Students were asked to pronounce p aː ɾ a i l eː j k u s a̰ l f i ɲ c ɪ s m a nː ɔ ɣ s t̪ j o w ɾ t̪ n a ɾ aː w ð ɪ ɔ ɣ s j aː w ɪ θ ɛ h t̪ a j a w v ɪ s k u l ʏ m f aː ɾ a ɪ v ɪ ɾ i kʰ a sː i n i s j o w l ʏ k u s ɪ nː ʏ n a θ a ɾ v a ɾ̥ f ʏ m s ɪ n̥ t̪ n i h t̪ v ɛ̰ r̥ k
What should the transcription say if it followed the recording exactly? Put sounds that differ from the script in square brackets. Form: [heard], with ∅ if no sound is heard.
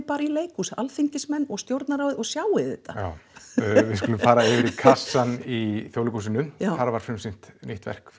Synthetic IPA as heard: p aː ɾ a i l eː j k u s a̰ l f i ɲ c ɪ s m [ɛ] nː ɔ ɣ s t̪ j o w ɾ t̪ n a ɾ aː w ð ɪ ɔ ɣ s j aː w ɪ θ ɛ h t̪ a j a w v ɪ s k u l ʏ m f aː ɾ a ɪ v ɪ ɾ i kʰ a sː [a] n i [θ] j o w l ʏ k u s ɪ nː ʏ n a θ a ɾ v a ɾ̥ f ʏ m s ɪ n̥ t̪ n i h t̪ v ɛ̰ r̥ k

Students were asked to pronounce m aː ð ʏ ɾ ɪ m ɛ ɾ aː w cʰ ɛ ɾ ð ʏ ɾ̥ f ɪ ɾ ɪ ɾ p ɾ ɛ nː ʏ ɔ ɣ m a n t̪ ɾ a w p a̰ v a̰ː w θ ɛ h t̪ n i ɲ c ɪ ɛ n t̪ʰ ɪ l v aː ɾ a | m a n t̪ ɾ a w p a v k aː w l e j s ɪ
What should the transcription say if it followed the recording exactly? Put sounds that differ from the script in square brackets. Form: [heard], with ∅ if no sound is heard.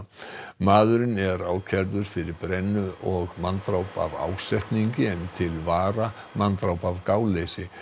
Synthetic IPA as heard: m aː ð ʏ ɾ ɪ [n] ɛ ɾ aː w cʰ ɛ ɾ ð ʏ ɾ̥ f ɪ ɾ ɪ ɾ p ɾ ɛ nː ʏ ɔ ɣ m a n t̪ ɾ a w p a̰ v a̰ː w [s] ɛ h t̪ n i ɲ c ɪ ɛ n t̪ʰ ɪ l v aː ɾ a | m a n t̪ ɾ a w p a v k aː w l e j s ɪ

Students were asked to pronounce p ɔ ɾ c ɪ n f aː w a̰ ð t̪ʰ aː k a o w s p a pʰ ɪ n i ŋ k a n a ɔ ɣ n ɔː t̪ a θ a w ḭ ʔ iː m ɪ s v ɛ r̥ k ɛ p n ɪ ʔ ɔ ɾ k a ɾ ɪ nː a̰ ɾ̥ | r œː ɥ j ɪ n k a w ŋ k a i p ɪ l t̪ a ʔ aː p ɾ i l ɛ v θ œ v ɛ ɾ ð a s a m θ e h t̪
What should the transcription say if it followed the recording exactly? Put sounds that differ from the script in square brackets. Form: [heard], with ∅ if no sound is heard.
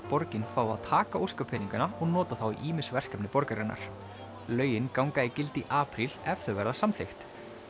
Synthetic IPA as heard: p ɔ ɾ c ɪ n f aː w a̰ ð t̪ʰ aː k a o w s [k] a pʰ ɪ n i ŋ k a n a ɔ ɣ n ɔː t̪ a θ a w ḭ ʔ iː m ɪ s v ɛ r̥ k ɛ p n ɪ [p] ɔ ɾ k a ɾ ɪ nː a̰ ɾ̥ | [l] œː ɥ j ɪ n k a w ŋ k a i [c] ɪ l t̪ [i] ʔ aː p ɾ i l ɛ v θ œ v ɛ ɾ ð a s a m θ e [x] t̪

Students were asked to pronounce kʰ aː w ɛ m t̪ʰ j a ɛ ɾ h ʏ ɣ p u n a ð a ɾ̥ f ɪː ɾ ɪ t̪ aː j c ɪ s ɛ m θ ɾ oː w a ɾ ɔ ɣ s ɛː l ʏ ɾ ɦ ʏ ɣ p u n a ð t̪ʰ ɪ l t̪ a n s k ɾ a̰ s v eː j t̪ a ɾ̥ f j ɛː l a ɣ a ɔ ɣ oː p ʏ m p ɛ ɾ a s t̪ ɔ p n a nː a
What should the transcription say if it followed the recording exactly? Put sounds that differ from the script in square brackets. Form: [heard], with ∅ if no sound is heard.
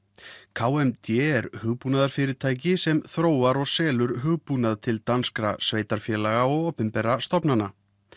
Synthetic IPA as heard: kʰ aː w ɛ m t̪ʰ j [ɛ] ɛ ɾ h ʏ ɣ p u n a ð a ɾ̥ f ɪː ɾ ɪ [t̪ʰ] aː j c ɪ s ɛ m θ ɾ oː w a ɾ ɔ ɣ s ɛː l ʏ ɾ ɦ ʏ ɣ p u n a ð t̪ʰ ɪ l t̪ a n s k ɾ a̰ s v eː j t̪ a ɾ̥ f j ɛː l a ɣ a ɔ ɣ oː p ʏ m p ɛ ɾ a s t̪ ɔ p n a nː a

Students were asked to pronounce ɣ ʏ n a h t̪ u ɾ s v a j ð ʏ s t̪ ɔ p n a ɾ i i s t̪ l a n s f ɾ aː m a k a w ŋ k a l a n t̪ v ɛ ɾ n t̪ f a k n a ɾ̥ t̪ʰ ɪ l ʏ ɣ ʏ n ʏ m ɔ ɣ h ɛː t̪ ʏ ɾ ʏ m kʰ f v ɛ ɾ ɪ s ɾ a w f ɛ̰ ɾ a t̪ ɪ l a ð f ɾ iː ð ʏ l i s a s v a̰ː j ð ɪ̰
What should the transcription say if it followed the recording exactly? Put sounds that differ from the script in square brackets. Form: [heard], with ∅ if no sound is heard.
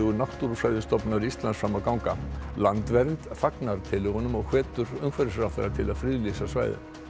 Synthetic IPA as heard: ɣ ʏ n a h t̪ u ɾ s v a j ð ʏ s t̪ ɔ p n a ɾ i i s t̪ l a n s f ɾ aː m a k a w ŋ k a l a n t̪ v ɛ ɾ n t̪ f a k n a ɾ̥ t̪ʰ ɪ l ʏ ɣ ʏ n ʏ m ɔ ɣ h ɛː t̪ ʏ ɾ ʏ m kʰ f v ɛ ɾ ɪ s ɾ a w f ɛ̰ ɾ a [t̪ʰ] ɪ l a ð f ɾ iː ð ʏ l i s a s v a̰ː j ð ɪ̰

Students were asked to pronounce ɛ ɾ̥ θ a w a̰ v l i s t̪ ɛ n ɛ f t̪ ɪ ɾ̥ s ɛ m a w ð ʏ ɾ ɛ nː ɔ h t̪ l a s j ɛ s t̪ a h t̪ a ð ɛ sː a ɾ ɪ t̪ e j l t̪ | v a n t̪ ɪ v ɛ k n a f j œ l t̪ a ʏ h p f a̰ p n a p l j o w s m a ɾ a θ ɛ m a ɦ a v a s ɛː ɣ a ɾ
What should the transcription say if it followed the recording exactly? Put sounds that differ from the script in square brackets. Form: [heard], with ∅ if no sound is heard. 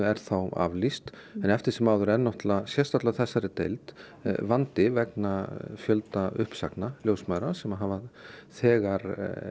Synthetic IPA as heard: ɛ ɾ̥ θ a w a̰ v l i s t̪ ɛ n ɛ f t̪ ɪ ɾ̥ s ɛ m a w ð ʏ ɾ ɛ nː ɔ h t̪ l a s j ɛ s t̪ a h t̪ a [θ] ɛ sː a ɾ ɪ t̪ e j l t̪ | v a n t̪ ɪ v ɛ k n a f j œ l t̪ a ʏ h p [s] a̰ [k] n a [∅] l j o w s m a ɾ a [s] ɛ m a ɦ a v a [θ] ɛː ɣ a ɾ

